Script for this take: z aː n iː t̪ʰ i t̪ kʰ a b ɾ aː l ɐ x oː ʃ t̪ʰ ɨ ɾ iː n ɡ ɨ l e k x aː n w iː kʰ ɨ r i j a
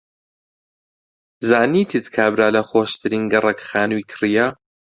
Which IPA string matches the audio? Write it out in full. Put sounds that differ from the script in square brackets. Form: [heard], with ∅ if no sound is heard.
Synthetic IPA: z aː n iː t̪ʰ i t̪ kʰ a b ɾ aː l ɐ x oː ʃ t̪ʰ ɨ ɾ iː n ɡ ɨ [r] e k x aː n w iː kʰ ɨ r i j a